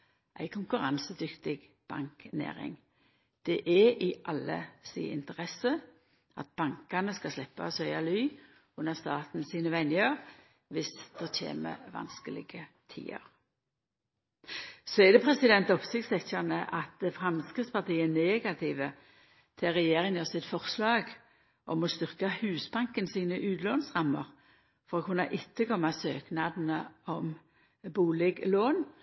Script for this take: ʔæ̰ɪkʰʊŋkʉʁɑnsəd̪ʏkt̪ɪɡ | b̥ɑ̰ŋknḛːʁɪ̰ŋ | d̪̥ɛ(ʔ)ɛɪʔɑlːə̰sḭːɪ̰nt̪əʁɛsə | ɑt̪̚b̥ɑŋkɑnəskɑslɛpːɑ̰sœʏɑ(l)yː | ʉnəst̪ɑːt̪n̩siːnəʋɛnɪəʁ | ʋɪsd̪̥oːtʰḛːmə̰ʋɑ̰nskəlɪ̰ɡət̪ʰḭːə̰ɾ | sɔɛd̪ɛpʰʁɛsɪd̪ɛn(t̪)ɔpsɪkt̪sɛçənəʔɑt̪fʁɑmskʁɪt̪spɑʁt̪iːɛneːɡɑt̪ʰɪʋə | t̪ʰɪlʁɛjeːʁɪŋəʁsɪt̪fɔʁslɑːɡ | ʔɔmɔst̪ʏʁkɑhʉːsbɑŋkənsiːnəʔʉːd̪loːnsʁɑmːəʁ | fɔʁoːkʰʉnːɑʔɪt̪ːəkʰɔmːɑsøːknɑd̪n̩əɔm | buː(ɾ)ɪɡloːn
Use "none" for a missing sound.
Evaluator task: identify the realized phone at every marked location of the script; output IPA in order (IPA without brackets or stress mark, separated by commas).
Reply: ʔ, l, t̪, l